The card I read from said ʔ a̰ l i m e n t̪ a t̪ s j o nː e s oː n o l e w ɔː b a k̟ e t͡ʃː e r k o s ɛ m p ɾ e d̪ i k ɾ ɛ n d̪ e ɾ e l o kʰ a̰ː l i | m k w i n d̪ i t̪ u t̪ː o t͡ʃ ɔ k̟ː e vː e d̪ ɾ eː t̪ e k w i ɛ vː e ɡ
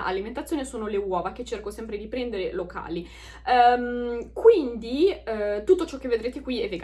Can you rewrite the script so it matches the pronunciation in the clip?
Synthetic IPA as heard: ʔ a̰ l i m e n t̪ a t̪ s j o n e s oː n o l e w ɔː v a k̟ e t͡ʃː e r k o s ɛ m p ɾ e d̪ i p ɾ ɛ n d̪ e ɾ e l o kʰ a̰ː l i | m k w i n d̪ i t̪ u t̪ː o t͡ʃ ɔ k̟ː e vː e d̪ ɾ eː t̪ e k w i ɛ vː e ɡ